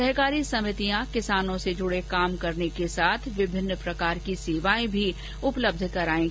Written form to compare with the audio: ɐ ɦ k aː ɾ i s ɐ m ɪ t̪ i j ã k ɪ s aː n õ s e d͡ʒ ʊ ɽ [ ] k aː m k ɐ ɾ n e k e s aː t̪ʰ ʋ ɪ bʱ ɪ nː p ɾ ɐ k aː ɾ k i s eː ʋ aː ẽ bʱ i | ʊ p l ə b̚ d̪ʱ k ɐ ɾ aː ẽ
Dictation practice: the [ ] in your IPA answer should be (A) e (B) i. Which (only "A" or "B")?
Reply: A